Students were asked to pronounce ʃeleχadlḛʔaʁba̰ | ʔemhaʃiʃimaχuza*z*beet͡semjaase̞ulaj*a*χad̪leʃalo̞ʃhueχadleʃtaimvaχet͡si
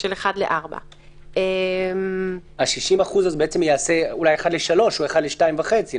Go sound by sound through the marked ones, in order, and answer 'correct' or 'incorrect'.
correct, incorrect

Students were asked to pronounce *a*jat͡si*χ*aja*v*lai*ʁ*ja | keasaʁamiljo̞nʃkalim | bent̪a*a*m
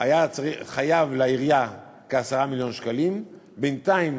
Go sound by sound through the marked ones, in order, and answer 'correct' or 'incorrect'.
correct, correct, correct, correct, incorrect

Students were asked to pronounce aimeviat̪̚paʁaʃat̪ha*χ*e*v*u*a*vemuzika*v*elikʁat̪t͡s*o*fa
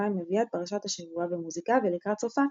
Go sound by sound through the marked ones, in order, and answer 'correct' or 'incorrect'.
incorrect, correct, correct, correct, correct

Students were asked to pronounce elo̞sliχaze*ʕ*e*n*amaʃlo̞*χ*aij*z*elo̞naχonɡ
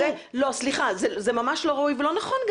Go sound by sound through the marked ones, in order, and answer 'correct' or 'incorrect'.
incorrect, incorrect, incorrect, incorrect

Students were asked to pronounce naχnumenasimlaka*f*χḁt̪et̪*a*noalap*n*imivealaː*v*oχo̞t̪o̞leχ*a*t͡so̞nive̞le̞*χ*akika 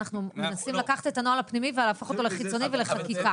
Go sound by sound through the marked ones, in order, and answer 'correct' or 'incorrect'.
incorrect, correct, correct, incorrect, incorrect, correct

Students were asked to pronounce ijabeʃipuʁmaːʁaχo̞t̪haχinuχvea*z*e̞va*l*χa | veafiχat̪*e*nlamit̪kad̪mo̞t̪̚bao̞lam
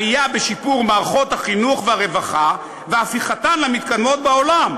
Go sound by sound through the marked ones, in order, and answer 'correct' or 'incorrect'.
incorrect, incorrect, incorrect

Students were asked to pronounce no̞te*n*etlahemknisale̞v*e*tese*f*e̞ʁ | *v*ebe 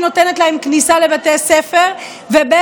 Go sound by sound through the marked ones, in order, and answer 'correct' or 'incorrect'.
correct, incorrect, correct, correct

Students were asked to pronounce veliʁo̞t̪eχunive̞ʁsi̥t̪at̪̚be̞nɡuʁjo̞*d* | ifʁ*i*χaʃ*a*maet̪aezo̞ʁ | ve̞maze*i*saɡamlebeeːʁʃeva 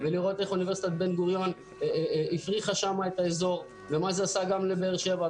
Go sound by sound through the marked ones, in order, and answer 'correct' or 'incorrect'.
incorrect, correct, correct, incorrect

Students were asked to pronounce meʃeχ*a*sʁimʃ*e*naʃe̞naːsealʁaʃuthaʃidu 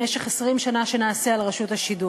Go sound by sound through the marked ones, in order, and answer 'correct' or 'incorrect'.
incorrect, incorrect

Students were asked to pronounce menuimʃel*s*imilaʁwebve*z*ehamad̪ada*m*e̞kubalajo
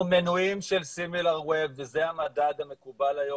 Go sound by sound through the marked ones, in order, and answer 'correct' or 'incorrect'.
correct, correct, correct

